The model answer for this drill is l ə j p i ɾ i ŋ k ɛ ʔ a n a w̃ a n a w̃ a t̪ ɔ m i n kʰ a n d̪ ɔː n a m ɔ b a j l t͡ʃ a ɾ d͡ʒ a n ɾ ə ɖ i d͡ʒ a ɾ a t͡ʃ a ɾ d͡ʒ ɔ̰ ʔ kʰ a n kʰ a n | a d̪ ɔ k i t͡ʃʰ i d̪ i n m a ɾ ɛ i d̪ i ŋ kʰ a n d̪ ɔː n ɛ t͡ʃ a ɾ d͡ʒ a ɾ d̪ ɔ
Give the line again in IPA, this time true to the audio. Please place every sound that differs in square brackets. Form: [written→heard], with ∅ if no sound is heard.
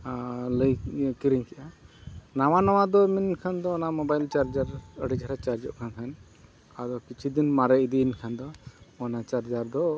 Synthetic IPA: l ə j [p→k] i ɾ i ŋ k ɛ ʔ a n a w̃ a n a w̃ a [t̪→d̪] ɔ m i n kʰ a n d̪ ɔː n a m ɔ b a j l t͡ʃ a ɾ d͡ʒ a [n→∅] ɾ ə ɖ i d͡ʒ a ɾ a t͡ʃ a ɾ d͡ʒ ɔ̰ ʔ kʰ a n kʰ a n | a d̪ ɔ k i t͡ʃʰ i d̪ i n m a ɾ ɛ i d̪ i [ŋ→n] kʰ a n d̪ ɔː n [ɛ→a] t͡ʃ a ɾ d͡ʒ a ɾ d̪ ɔ